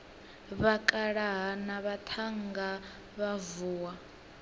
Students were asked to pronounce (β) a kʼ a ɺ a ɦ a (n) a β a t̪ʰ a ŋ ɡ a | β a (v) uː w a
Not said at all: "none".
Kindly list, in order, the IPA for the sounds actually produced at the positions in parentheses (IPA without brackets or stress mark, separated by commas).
β, n, v